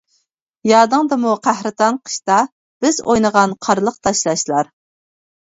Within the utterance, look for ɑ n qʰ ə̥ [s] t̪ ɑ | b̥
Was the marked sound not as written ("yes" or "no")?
yes